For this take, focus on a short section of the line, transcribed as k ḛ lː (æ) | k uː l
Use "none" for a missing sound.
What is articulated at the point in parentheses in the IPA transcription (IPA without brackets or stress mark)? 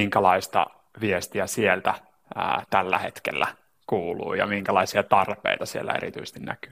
æ